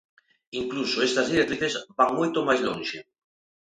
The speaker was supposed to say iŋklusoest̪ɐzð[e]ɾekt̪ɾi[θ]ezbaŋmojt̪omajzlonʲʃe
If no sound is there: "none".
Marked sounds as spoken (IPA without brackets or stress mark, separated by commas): i, θ